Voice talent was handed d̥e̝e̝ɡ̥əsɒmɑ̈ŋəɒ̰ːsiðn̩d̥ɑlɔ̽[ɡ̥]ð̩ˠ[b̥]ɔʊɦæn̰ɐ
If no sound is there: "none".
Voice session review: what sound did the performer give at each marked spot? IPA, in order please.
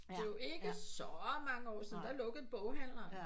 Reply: ɡ̥, b̥

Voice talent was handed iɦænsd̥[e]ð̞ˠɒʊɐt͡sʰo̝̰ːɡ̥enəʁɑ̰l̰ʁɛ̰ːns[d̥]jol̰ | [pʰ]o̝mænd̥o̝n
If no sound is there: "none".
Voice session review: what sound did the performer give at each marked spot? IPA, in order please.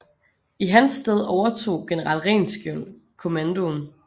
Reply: e, ɡ̥, kʰ

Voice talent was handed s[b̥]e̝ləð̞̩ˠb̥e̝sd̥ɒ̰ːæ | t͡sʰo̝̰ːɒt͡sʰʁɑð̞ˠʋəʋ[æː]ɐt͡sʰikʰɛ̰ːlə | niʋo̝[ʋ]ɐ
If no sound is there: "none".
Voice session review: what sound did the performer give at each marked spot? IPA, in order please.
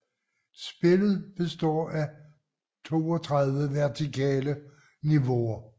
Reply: b̥, æ, none

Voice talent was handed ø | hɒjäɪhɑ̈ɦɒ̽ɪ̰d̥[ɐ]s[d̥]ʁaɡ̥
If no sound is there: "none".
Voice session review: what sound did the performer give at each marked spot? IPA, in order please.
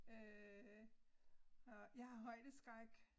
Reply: ə, ɡ̥

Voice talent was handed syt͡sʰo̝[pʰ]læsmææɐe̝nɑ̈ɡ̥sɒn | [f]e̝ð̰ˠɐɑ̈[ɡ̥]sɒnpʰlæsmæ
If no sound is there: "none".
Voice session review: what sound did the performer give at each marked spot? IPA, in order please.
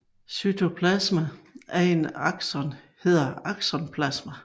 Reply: pʰ, h, ɡ̥

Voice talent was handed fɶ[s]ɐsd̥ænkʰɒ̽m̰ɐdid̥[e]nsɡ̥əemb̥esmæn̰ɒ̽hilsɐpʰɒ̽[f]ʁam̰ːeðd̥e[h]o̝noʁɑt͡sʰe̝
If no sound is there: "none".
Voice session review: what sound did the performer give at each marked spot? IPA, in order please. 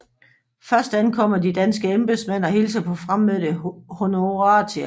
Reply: none, æ, f, h

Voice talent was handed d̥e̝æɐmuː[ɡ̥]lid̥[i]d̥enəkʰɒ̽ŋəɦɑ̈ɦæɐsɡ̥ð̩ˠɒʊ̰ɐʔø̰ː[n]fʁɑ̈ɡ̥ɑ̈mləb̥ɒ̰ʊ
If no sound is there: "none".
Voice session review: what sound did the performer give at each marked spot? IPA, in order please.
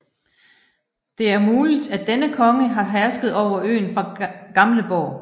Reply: none, æ, n

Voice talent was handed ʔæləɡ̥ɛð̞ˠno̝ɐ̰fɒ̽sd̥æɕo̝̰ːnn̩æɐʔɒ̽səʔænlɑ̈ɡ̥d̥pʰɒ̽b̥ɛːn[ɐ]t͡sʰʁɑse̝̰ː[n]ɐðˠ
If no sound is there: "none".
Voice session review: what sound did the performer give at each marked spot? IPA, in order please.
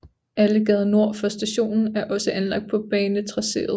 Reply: ə, none

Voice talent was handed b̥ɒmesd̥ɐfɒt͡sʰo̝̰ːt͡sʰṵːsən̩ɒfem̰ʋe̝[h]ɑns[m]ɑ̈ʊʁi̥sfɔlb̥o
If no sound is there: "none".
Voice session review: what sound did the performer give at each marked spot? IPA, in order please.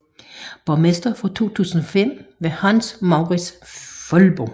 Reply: h, m

